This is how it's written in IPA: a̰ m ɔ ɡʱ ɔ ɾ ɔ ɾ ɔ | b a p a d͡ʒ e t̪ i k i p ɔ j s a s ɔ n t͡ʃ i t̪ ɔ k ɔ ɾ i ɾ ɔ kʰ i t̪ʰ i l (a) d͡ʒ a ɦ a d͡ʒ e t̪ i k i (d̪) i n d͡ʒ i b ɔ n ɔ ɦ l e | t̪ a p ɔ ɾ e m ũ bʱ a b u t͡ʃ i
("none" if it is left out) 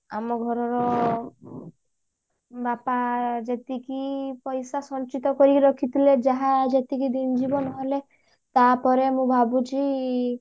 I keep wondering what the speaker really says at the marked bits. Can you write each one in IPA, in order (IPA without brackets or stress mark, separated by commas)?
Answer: e, d̪